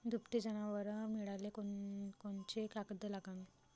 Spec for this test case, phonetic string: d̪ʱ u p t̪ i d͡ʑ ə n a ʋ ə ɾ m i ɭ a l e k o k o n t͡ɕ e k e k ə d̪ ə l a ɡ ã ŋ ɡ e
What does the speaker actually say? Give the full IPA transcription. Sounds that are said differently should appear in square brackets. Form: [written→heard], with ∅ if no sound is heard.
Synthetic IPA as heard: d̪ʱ u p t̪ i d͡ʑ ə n a ʋ ə ɾ m i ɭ a l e k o k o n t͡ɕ e k [e→a] k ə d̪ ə l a ɡ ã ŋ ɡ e